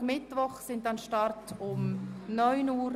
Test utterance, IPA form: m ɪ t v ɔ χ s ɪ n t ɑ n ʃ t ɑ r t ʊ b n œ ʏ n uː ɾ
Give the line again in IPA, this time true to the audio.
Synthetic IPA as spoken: m ɪ t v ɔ χ s ɪ n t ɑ n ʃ t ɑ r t ʊ m n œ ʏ n uː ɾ